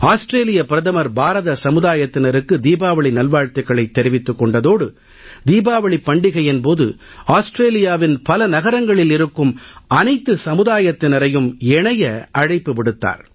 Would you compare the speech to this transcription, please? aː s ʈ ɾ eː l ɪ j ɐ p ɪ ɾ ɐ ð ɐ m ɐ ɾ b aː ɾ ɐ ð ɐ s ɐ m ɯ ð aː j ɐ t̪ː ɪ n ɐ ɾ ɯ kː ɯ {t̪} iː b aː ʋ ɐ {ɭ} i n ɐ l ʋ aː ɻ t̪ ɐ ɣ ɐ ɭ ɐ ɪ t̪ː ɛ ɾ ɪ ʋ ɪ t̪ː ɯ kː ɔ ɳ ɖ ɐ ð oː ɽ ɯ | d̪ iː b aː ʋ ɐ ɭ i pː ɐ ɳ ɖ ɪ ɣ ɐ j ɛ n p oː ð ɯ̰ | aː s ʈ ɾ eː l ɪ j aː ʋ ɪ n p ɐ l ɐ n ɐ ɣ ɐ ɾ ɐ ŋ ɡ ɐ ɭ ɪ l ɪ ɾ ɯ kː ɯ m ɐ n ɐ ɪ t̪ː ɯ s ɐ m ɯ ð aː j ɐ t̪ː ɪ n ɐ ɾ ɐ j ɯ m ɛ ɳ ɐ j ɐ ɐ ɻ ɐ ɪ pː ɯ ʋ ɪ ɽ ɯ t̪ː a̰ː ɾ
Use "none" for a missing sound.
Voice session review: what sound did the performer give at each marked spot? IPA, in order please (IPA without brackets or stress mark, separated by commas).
d̪, ɭ